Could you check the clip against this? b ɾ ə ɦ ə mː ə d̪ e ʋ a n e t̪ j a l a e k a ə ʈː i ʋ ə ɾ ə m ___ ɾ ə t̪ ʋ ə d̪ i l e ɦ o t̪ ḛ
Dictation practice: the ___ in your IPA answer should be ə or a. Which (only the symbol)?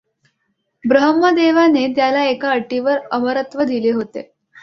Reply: ə